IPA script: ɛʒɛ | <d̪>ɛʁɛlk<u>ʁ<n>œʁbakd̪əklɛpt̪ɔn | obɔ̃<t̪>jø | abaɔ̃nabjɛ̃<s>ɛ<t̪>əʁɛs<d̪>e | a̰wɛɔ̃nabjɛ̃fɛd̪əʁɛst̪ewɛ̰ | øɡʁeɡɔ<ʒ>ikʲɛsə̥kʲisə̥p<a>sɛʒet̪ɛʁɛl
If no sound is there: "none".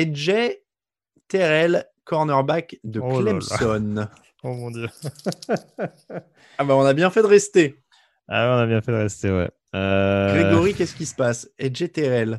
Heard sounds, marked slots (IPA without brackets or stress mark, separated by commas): t̪, ɔ, n, d̪, f, d̪, t̪, ʁ, a